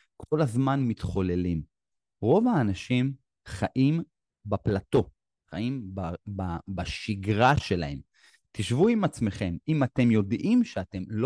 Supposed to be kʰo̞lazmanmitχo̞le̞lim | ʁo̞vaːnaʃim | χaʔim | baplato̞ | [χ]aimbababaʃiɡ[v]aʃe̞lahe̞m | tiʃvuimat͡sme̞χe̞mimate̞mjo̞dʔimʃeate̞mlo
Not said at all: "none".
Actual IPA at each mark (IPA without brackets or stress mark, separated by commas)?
χ, ʁ